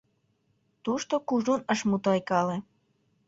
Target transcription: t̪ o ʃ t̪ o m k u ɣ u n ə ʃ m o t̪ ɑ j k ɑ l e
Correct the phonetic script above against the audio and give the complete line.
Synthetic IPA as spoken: t̪ u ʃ t̪ o k u ʒ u n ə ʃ m u t̪ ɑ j k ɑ l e